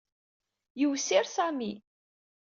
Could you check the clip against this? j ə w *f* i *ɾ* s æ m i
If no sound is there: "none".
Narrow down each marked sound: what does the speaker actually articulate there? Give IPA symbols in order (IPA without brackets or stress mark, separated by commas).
s, ɾ